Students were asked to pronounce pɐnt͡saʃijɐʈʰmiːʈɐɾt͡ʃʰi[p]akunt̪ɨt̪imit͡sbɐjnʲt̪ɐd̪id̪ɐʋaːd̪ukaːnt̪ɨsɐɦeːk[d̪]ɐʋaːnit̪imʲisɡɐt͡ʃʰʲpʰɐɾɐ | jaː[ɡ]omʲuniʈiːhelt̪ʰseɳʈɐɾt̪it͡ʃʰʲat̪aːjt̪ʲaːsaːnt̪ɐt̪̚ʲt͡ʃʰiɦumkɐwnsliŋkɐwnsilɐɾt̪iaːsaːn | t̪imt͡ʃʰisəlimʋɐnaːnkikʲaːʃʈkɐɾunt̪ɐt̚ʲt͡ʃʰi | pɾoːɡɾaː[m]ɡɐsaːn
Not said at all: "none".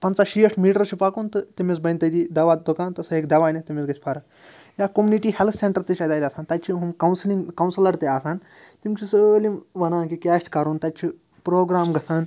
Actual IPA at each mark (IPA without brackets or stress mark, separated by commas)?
p, d̪, k, m